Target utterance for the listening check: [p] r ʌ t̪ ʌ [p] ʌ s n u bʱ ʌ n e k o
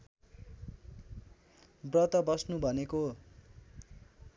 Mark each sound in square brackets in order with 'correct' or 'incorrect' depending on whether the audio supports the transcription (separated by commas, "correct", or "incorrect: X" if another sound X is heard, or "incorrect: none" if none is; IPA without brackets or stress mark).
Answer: incorrect: b, incorrect: b